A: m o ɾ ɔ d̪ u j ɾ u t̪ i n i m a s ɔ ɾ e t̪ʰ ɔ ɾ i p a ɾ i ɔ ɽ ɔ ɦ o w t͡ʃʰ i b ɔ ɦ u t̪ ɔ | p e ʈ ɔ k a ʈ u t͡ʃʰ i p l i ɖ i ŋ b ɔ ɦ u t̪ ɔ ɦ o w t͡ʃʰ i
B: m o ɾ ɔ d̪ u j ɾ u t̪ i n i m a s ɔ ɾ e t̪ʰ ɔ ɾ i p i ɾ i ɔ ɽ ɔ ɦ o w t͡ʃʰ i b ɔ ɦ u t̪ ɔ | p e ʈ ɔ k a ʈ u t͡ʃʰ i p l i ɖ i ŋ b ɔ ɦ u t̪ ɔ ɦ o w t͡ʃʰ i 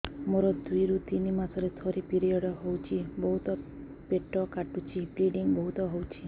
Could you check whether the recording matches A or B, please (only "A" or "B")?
B